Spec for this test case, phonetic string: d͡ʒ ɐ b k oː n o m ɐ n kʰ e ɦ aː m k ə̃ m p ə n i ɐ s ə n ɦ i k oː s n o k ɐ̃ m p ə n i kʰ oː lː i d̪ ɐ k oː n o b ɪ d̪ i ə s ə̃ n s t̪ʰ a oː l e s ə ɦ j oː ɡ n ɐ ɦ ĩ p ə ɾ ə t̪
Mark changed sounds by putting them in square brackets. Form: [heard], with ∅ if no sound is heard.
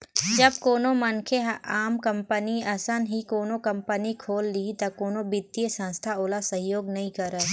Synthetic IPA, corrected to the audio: d͡ʒ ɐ b k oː n o m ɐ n kʰ e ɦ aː m k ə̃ m p ə n i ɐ s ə n ɦ i k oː [∅] n o k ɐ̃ m p ə n i kʰ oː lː i [t̪] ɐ k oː n o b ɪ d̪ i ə s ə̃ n s t̪ʰ a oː l [a] s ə ɦ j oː ɡ n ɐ ɦ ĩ [k] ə ɾ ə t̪